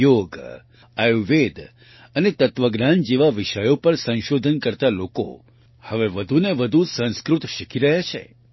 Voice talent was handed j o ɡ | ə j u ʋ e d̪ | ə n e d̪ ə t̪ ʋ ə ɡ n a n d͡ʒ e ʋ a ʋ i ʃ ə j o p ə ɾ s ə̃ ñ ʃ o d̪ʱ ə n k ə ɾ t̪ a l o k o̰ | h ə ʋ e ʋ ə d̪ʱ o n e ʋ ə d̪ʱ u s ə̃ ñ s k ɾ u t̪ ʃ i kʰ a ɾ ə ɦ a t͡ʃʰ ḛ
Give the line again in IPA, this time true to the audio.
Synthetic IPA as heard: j o ɡ | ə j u ʋ e d̪ | ə n e t̪ ə t̪ ʋ ə ɡ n a n d͡ʒ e ʋ a ʋ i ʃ ə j o p ə ɾ s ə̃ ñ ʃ o d̪ʱ ə n k ə ɾ t̪ a l o k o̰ | h ə ʋ e ʋ ə d̪ʱ u n e ʋ ə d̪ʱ u s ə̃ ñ s k ɾ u t̪ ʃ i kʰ i ɾ ə ɦ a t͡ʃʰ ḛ